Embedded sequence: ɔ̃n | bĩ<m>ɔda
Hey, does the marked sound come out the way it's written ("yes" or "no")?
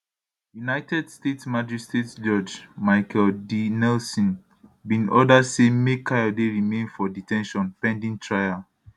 no